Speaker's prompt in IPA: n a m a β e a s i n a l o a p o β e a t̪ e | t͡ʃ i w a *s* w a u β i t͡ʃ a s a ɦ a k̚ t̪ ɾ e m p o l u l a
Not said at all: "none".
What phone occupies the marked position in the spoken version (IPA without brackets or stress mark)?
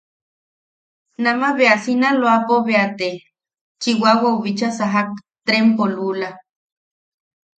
none